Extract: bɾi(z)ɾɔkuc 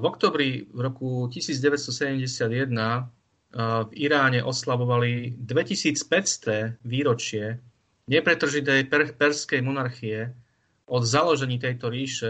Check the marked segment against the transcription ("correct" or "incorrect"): incorrect